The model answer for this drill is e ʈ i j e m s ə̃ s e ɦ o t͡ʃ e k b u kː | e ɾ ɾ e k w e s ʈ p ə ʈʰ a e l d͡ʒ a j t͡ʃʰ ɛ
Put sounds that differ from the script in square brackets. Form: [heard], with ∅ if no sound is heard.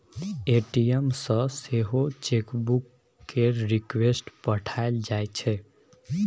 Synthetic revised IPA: e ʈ i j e m s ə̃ s e ɦ o t͡ʃ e k b u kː | e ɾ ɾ [i] k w e s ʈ p ə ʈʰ a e l d͡ʒ a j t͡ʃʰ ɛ

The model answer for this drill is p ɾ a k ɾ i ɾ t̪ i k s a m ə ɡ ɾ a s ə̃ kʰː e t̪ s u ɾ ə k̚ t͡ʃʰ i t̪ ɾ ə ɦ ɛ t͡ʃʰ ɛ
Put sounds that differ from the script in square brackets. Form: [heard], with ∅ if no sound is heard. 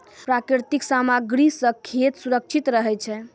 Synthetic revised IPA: p ɾ a k ɾ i ɾ t̪ i k s a m [a] ɡ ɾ [i] s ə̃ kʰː e t̪ s u ɾ ə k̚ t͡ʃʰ i t̪ ɾ ə ɦ ɛ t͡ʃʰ ɛ

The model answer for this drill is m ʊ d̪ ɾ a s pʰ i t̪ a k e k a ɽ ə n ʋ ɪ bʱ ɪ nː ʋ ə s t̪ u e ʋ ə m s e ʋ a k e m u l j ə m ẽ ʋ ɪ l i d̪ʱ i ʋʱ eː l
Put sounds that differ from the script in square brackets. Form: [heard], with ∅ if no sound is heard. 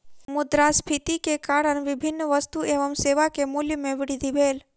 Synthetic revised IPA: m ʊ d̪ ɾ a s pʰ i t̪ [i] k e k a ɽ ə n ʋ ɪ bʱ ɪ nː ʋ ə s t̪ u e ʋ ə m s e ʋ a k e m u l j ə m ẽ ʋ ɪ [ɽ] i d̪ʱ i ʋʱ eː l

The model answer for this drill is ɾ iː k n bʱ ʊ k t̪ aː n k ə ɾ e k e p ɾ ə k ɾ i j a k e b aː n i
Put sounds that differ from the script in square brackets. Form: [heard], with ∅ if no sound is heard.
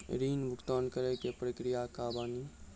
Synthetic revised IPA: ɾ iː [∅] n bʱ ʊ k t̪ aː n k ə ɾ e k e p ɾ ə k ɾ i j a k [a] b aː n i

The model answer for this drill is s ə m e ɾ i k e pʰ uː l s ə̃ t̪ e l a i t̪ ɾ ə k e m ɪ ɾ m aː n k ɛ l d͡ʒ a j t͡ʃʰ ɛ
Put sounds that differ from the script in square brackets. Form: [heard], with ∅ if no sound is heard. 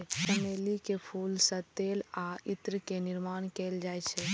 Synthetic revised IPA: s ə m e [l] i k e pʰ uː l s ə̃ t̪ e l a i t̪ ɾ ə k e [n] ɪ ɾ m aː n k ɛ l d͡ʒ a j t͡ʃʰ ɛ

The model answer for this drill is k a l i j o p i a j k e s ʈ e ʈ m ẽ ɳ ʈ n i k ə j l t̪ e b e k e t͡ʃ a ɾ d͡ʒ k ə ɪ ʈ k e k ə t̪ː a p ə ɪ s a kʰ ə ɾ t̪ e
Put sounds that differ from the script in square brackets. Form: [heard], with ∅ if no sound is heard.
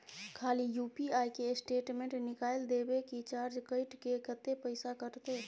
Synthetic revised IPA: [kʰ] a l i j [u] p i a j k e s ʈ e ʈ m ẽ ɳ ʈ n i k [a] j l [d̪] e b e k [i] t͡ʃ a ɾ d͡ʒ k ə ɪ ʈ k e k ə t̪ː [e] p ə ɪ s a [k] ə ɾ t̪ e

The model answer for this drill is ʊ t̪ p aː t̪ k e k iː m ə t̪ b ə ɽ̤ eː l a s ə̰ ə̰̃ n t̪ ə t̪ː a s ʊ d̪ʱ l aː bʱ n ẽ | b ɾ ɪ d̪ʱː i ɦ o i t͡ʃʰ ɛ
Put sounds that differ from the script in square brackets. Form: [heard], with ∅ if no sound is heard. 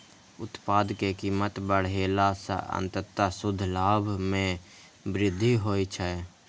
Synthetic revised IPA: ʊ t̪ p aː [d̪] k e k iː m ə t̪ b ə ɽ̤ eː l a s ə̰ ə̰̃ n t̪ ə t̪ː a s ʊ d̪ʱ l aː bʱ [m] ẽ | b ɾ ɪ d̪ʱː i ɦ o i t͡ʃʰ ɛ

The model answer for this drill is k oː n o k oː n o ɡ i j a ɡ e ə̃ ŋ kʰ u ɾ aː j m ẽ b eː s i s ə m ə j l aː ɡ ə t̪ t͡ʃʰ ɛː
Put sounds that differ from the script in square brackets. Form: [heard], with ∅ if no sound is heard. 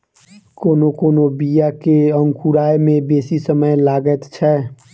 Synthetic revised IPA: k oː n o k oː n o [b] i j a [k] e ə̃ ŋ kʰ u ɾ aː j m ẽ b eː s i s ə m ə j l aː ɡ ə t̪ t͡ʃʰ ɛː

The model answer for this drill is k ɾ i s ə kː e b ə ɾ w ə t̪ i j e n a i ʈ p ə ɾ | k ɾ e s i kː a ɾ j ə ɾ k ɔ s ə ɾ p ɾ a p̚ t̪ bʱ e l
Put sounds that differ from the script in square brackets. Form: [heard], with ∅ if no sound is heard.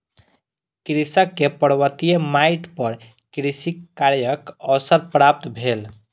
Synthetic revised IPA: k ɾ i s ə kː e [p] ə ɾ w ə t̪ i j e [m] a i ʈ p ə ɾ | k ɾ [i] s i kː a ɾ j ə [∅] k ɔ s ə ɾ p ɾ a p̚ t̪ bʱ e l

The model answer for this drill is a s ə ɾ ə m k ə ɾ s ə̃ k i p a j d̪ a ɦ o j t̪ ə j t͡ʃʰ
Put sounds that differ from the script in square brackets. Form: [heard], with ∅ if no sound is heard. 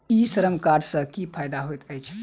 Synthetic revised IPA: [i] s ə ɾ ə m k [a] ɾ s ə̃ k i [pʰ] a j d̪ a ɦ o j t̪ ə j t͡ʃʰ

